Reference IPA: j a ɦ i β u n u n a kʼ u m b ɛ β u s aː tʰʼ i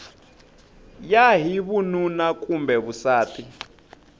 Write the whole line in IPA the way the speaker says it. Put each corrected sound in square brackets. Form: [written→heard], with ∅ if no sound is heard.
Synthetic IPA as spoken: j a ɦ i β u n u n a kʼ u m b ɛ β u s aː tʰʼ i